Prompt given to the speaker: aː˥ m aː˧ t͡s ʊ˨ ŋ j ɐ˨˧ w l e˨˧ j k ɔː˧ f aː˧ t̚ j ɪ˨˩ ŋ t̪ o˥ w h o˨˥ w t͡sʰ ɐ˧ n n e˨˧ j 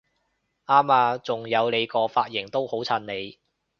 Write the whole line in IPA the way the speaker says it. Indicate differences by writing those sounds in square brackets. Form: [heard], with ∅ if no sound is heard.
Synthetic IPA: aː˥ m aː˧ t͡s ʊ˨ ŋ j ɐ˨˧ w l e˨˧ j k ɔː˧ f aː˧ t̚ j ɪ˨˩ ŋ t̪ o˥ w h o˨˥ w t͡sʰ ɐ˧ n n e˨˧ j